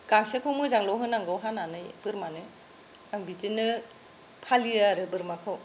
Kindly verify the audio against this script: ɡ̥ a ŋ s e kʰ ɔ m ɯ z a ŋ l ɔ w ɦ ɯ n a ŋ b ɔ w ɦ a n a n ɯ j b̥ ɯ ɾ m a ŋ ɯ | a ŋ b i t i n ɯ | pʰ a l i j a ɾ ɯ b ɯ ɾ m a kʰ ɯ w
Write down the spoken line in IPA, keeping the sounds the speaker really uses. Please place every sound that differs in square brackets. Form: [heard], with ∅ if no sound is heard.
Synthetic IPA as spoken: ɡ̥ a ŋ s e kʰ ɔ m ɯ z a ŋ l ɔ w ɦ ɯ n a ŋ [ɡ] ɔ w ɦ a n a n ɯ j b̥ ɯ ɾ m a [n] ɯ | a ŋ b i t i n ɯ | pʰ a l i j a ɾ ɯ b ɯ ɾ m a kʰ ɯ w